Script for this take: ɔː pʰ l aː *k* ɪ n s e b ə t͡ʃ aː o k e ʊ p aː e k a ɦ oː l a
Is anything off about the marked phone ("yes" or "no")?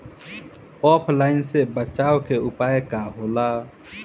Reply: yes